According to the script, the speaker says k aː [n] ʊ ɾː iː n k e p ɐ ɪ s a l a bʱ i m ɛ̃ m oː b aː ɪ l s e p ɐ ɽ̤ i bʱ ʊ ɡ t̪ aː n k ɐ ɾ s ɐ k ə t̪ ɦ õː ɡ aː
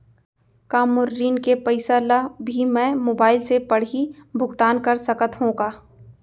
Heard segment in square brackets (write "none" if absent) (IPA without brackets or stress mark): m